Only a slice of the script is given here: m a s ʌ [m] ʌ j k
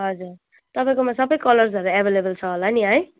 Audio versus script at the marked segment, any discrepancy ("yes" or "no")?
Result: yes